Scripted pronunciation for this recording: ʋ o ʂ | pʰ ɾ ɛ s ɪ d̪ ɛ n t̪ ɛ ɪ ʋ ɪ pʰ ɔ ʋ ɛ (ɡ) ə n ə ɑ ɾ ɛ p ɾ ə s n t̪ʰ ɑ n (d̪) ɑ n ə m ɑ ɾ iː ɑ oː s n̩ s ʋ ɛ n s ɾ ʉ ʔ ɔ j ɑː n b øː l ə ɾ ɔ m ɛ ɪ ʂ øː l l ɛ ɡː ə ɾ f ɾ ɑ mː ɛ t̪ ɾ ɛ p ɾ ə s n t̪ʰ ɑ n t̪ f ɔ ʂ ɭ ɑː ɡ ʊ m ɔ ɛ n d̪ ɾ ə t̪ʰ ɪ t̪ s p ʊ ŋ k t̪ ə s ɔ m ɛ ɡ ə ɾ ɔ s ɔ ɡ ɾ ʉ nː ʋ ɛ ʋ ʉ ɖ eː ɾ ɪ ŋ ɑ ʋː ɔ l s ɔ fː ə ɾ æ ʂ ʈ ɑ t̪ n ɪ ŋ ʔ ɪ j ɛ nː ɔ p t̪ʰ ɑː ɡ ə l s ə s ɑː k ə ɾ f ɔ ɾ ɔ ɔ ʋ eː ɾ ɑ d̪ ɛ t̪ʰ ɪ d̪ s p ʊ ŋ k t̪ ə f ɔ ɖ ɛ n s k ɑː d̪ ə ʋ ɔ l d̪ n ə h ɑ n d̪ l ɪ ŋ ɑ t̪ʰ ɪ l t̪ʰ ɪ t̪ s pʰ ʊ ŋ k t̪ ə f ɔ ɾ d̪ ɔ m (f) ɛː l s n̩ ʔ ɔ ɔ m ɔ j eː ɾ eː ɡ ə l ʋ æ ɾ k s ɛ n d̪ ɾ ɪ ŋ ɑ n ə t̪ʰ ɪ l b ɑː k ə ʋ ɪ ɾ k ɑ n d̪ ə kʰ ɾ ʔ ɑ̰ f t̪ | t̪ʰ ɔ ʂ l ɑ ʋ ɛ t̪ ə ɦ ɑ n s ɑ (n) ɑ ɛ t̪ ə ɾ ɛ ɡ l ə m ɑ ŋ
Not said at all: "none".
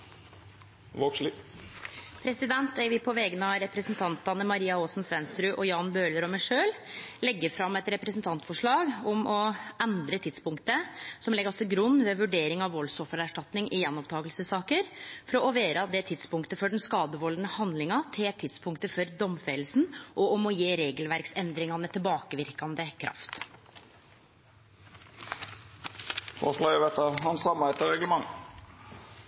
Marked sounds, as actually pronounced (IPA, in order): ɡ, t̪, f, m

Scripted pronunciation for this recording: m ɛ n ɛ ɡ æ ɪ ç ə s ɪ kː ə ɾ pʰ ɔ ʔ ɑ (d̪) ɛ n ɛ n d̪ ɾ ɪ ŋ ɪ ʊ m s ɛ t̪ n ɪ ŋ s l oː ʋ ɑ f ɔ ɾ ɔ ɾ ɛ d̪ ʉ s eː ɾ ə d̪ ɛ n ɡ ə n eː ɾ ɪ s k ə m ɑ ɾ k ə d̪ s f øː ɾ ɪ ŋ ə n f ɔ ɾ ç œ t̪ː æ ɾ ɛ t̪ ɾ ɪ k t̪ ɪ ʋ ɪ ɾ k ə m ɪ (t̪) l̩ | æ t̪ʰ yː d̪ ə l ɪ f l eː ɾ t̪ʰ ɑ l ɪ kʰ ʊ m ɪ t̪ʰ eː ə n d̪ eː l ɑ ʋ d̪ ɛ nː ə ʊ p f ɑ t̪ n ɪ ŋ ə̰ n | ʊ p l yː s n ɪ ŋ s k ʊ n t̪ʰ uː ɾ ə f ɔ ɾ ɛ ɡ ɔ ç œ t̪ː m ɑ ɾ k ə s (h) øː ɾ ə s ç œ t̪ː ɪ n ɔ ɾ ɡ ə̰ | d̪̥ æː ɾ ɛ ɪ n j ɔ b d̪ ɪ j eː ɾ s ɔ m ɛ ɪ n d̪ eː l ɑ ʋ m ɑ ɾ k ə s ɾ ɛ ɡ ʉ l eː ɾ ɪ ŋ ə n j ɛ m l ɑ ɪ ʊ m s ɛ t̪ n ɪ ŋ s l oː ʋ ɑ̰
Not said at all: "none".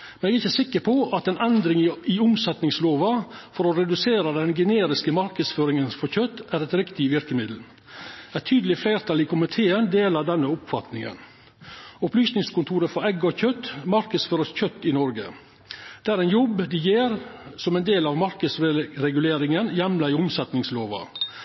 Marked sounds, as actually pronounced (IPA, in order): t̪, d̪, f

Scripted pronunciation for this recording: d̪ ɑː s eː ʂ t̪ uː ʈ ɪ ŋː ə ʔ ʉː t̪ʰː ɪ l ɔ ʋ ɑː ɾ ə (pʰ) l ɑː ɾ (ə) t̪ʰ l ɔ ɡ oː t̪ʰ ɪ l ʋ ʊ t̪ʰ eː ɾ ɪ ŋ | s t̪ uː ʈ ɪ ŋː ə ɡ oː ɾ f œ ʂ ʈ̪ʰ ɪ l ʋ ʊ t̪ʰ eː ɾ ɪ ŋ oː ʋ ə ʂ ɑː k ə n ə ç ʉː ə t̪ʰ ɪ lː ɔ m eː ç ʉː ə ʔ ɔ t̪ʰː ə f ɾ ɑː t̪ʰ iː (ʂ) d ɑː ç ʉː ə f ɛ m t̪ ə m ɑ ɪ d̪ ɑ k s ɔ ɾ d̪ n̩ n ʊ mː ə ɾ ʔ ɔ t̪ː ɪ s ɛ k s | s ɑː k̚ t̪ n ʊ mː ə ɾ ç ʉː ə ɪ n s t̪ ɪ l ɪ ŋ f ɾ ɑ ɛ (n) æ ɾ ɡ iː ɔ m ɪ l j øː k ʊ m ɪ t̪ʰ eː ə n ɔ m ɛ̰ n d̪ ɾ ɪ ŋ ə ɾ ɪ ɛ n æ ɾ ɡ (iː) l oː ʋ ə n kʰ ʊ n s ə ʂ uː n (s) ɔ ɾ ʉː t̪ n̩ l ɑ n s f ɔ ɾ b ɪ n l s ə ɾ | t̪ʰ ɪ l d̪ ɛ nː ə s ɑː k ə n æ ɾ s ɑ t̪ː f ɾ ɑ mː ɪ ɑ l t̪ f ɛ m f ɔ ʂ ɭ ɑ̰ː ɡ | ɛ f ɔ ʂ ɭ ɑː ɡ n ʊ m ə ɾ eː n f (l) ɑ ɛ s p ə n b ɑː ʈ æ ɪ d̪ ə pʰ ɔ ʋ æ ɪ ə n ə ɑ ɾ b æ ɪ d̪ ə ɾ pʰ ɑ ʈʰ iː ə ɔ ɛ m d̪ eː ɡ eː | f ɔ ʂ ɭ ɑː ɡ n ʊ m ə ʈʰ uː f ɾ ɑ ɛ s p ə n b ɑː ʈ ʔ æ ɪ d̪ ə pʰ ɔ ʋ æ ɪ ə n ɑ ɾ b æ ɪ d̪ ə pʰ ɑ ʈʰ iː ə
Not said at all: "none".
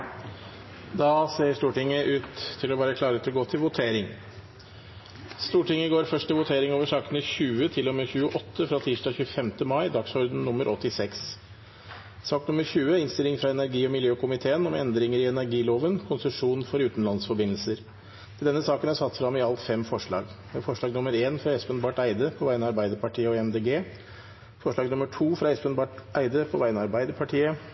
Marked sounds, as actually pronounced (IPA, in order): kʰ, ə, ʂ, n, iː, f, ɾ

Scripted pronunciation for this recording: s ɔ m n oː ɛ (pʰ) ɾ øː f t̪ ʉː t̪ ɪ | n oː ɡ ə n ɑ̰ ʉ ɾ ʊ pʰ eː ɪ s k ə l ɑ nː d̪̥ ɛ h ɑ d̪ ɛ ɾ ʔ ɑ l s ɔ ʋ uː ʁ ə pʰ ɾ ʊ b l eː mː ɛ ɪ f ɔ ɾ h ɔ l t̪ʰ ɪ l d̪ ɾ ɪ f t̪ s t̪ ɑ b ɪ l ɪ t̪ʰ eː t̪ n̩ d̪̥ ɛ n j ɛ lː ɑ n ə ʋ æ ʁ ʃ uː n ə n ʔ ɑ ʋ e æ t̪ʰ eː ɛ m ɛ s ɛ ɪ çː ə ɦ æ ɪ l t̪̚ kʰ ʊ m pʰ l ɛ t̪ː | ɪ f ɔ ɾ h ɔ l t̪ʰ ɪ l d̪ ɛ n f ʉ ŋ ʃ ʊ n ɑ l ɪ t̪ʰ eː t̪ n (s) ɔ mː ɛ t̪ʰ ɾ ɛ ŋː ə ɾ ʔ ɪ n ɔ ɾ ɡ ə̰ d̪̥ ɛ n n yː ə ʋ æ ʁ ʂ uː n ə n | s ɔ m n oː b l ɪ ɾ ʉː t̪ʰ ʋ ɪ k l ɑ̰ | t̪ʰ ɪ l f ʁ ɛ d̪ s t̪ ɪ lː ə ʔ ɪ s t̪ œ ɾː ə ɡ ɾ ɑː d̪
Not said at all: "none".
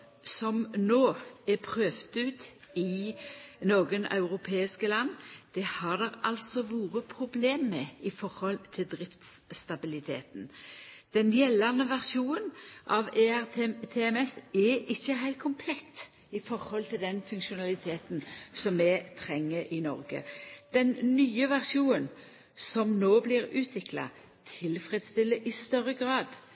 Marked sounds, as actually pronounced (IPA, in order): pʰ, s

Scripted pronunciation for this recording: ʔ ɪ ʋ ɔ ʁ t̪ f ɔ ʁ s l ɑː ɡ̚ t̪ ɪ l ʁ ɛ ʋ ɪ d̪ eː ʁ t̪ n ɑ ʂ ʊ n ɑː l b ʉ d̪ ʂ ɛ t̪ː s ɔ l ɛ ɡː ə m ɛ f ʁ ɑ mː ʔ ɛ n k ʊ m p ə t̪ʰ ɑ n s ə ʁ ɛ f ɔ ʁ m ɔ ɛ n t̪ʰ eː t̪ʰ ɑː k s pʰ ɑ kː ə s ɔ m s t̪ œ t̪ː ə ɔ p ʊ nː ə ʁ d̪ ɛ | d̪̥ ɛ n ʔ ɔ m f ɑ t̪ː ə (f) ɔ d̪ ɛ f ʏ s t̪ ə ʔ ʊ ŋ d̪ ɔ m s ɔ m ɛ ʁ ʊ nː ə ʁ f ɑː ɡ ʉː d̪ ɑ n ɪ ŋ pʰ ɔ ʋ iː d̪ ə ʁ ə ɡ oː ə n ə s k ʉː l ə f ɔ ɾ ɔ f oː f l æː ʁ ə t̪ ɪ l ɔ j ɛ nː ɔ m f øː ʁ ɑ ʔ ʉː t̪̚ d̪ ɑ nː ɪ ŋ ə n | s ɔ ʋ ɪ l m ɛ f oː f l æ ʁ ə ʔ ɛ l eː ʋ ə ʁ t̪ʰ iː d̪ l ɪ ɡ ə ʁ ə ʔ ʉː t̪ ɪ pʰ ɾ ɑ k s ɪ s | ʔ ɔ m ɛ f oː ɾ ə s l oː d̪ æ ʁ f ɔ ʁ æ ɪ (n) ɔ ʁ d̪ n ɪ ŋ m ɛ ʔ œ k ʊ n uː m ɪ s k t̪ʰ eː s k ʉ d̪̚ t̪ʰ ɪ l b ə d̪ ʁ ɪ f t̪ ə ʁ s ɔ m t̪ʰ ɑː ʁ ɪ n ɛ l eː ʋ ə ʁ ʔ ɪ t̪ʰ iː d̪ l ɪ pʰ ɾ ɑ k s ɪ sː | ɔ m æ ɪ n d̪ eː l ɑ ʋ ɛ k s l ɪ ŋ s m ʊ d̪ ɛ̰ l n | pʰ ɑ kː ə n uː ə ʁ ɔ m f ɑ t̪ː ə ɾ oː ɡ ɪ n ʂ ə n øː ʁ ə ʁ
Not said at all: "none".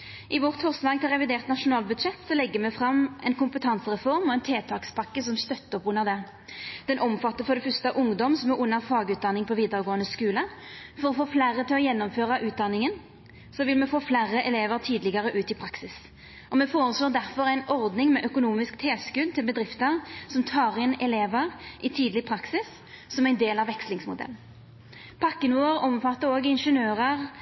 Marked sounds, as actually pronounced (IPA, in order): f, n

